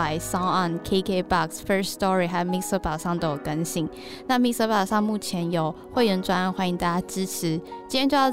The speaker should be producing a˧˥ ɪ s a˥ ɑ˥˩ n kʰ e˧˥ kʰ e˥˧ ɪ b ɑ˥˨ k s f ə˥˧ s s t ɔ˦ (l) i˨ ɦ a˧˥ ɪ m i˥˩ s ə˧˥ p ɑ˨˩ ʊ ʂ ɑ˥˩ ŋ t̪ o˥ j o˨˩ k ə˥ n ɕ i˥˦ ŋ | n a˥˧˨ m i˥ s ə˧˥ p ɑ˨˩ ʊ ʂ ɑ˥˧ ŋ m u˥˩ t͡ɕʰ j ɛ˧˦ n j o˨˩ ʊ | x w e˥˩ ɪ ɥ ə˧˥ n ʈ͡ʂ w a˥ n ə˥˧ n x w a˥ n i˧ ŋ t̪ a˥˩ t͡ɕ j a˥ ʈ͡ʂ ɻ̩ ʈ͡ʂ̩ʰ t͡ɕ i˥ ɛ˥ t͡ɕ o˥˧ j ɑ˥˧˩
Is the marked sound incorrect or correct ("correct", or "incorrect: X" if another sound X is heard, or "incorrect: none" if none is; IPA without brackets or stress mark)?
incorrect: ɹ